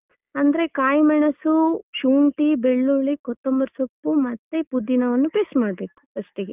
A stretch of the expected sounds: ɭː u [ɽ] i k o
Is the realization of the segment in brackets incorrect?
yes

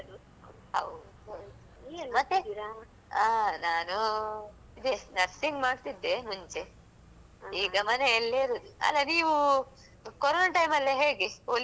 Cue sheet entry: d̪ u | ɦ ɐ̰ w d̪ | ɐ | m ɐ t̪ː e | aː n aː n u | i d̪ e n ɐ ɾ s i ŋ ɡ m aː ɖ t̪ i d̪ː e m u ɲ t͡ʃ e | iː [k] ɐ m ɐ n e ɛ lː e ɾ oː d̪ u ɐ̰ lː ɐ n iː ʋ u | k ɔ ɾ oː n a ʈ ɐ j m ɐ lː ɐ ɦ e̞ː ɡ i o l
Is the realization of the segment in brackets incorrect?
yes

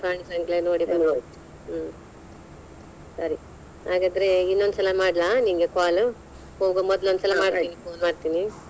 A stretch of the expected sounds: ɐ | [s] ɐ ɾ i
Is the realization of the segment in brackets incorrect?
no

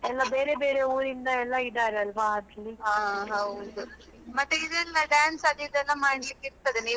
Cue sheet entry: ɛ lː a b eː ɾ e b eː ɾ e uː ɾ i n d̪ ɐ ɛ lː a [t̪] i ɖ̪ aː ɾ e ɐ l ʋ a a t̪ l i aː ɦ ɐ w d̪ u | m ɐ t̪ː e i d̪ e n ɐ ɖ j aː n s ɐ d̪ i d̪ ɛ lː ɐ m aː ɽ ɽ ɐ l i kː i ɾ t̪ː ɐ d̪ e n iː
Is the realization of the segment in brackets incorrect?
yes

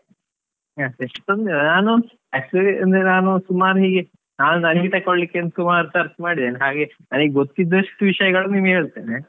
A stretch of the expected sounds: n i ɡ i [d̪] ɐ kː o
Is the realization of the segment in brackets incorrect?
yes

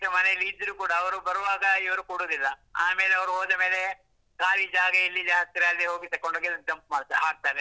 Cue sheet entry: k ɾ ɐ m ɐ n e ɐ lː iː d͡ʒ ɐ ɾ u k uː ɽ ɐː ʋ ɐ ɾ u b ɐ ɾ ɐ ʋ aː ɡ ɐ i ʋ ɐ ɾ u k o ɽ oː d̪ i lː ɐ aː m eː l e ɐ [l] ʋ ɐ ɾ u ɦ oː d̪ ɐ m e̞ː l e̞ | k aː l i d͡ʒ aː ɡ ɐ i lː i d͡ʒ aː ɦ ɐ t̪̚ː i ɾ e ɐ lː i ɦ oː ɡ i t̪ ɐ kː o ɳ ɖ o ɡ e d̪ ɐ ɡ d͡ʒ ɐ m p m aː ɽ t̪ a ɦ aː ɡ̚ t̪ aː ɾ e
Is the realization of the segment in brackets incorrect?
yes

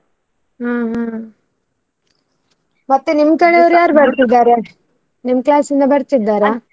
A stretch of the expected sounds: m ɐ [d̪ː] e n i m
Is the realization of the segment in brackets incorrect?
yes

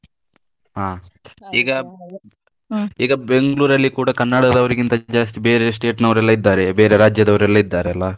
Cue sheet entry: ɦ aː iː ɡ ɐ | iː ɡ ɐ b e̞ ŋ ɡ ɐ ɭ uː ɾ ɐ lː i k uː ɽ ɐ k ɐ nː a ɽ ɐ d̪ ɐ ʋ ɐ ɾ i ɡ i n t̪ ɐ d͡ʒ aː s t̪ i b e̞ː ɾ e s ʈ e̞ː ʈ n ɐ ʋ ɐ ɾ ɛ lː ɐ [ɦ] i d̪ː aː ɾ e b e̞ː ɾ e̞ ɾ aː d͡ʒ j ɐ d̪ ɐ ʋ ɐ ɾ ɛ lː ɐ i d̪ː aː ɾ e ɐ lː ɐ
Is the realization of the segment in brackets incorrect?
yes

